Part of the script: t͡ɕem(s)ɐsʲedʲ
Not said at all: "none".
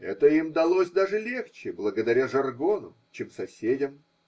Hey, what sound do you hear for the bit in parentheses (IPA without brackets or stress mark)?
s